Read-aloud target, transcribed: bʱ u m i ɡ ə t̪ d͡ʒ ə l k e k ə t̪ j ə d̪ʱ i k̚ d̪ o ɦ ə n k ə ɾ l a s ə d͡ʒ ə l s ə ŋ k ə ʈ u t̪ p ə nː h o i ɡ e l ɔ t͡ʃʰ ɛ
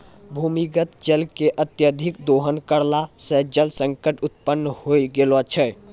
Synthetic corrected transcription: bʱ u m i ɡ ə t̪ d͡ʒ ə l k e ʔ ə t̪ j ə d̪ʱ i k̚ d̪ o ɦ ə n k ə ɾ l a s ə d͡ʒ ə l s ə ŋ k ə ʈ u t̪ p ə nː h o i ɡ e l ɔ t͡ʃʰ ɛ